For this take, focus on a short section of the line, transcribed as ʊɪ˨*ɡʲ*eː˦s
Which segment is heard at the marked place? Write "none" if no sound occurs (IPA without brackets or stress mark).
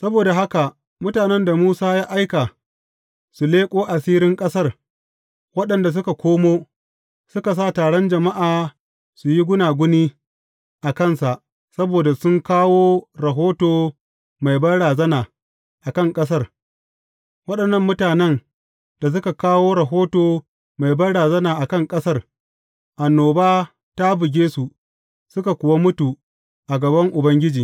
ɡʲ